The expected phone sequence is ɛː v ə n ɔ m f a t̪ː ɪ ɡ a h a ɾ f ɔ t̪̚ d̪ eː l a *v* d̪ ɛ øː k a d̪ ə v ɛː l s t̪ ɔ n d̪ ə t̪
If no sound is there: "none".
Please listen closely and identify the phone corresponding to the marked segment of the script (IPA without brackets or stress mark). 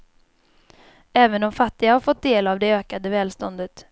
v